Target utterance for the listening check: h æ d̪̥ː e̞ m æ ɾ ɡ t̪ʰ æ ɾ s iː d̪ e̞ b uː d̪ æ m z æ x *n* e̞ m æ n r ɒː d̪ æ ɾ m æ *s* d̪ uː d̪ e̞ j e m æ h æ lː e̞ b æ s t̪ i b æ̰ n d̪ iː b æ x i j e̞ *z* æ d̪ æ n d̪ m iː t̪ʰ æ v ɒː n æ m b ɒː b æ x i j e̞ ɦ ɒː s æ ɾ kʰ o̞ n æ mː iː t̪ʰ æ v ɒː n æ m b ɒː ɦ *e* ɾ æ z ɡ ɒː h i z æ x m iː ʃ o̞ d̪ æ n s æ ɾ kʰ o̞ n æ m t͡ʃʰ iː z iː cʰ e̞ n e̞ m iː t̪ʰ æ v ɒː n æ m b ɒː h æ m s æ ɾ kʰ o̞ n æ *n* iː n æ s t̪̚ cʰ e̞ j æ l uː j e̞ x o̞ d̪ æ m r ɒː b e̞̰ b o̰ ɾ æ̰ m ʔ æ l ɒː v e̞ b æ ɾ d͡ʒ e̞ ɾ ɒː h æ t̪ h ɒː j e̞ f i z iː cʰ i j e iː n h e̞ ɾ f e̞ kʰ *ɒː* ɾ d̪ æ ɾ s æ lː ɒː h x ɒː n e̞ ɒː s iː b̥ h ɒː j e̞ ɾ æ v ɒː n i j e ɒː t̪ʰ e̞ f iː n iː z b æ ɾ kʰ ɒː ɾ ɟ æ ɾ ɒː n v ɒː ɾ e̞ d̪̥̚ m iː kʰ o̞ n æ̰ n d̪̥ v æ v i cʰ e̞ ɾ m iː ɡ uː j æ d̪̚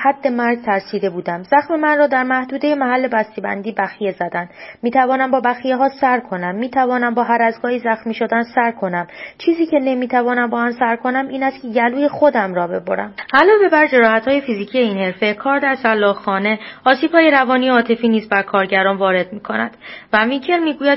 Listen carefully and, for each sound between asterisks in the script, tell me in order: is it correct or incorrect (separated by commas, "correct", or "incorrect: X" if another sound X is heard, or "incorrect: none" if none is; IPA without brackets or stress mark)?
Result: incorrect: m, incorrect: h, correct, incorrect: æ, incorrect: m, correct